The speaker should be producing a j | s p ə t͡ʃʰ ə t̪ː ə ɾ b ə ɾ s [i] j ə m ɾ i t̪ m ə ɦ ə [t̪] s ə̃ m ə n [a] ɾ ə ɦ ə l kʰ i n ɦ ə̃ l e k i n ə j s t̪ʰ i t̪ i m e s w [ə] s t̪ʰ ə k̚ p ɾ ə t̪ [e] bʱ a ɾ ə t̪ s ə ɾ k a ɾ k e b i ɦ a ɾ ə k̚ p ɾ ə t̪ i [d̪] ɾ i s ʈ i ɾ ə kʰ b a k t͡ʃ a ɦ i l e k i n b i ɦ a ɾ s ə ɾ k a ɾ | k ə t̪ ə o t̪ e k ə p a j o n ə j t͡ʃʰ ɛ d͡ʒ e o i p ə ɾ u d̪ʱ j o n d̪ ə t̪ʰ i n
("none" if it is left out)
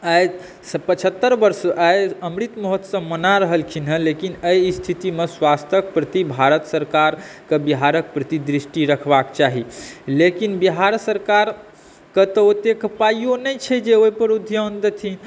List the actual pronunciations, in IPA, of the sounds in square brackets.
a, t̪, a, a, i, d̪

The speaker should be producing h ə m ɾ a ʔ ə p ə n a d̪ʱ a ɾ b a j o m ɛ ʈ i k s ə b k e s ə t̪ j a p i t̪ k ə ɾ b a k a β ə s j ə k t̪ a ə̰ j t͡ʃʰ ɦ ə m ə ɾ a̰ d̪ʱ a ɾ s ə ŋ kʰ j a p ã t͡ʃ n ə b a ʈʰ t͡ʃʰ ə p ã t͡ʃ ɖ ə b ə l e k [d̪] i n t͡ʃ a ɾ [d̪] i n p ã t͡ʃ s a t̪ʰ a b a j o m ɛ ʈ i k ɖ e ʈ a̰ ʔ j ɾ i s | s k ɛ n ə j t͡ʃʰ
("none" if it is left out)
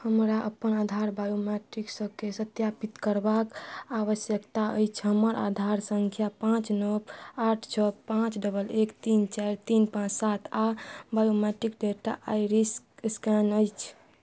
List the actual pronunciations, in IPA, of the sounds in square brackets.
t̪, t̪

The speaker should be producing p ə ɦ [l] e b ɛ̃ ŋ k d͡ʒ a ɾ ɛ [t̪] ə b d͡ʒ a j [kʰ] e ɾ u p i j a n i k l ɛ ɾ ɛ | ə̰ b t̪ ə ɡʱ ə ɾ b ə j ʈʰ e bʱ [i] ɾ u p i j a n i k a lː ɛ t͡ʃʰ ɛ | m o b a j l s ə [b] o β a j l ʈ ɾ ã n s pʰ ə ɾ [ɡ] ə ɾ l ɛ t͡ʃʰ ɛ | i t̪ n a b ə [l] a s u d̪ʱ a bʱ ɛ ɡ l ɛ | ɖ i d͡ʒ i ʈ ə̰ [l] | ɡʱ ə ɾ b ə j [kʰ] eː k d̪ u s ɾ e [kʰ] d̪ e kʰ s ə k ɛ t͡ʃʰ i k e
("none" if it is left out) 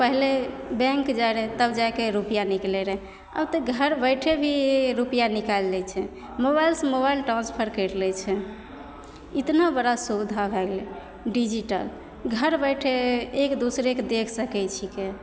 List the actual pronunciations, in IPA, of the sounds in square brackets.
l, t̪, k, i, m, k, ɽ, l, ʈʰ, k

